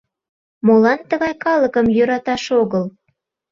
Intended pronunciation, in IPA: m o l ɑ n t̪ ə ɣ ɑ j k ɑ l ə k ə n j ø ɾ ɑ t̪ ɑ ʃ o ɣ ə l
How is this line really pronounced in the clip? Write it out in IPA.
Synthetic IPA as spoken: m o l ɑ n t̪ ə ɣ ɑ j k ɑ l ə k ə m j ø ɾ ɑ t̪ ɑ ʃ o ɣ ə l